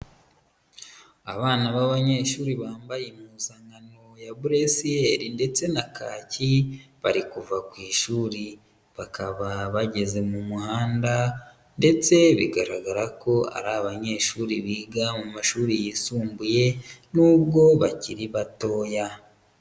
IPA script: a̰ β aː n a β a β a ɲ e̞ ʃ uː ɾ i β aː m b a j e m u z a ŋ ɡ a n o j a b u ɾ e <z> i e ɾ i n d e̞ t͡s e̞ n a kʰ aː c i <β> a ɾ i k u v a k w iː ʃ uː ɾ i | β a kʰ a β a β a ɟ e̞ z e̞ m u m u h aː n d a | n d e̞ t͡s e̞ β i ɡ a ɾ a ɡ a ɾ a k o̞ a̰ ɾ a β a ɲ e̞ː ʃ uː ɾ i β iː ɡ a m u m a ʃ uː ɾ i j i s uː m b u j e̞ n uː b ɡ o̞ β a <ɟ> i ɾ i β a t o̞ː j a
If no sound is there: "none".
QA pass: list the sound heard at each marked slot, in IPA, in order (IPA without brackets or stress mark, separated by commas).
s, β, c